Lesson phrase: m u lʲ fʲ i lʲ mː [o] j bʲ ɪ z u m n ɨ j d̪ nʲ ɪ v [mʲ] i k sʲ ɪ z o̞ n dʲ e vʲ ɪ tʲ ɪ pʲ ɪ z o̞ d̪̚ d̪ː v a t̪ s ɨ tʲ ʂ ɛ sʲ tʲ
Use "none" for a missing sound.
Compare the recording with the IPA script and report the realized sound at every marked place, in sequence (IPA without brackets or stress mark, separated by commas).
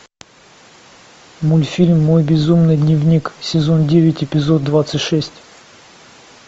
o, nʲ